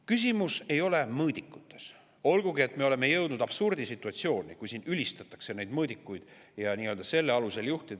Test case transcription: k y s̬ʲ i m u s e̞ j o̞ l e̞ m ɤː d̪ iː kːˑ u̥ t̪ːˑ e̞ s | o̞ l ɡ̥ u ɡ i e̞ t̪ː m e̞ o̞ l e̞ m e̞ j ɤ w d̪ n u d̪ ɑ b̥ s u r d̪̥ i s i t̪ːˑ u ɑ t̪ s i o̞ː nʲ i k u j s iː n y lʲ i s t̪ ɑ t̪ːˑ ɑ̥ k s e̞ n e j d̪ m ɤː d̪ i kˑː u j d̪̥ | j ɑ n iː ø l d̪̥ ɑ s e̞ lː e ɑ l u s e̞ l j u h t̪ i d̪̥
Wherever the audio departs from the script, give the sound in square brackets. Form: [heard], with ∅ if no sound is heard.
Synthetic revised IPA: k y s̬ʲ i m u s e̞ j o̞ l e̞ m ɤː d̪ [i] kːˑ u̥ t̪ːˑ e̞ s | o̞ l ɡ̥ u ɡ i e̞ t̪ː m e̞ o̞ l e̞ m e̞ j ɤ w d̪ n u d̪ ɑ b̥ s u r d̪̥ i s i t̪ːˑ u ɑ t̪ s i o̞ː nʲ i k u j s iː n y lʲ i s t̪ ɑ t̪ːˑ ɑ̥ k s e̞ n e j d̪ m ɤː d̪ i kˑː u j d̪̥ | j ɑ n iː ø l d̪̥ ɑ s e̞ lː e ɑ l u s e̞ l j u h t̪ i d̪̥